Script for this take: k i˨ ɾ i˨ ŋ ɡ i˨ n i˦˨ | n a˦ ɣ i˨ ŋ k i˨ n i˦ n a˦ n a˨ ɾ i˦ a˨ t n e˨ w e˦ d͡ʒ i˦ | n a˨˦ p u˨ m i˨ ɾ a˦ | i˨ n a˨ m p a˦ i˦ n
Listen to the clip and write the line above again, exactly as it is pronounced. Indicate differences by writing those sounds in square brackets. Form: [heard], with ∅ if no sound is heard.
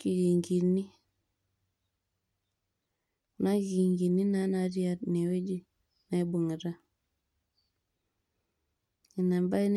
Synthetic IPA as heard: k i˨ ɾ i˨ ŋ ɡ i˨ n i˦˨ | n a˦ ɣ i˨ ŋ [ɡ] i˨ n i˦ n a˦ n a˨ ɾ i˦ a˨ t n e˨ w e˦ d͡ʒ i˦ | n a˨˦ [b] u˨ [ŋ] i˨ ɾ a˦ | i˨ n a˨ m [b] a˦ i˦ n